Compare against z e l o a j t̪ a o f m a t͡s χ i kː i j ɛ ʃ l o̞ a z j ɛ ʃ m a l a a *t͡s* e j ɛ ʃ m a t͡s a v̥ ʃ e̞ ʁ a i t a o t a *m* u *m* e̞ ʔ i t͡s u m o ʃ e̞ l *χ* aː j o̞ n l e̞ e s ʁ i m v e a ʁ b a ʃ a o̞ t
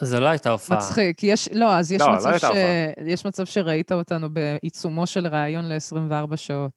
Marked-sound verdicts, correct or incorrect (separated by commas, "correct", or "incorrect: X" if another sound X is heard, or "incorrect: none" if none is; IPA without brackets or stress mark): incorrect: none, incorrect: n, incorrect: b, incorrect: ʁ